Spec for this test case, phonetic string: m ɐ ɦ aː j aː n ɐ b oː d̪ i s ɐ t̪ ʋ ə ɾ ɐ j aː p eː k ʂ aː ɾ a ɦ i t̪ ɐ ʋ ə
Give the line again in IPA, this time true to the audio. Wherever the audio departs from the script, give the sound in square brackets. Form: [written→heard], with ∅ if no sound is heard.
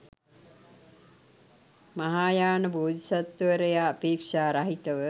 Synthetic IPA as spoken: m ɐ ɦ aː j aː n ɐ b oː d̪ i s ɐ t̪ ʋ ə ɾ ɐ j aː p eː k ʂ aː ɾ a ɦ i t̪ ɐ ʋ ə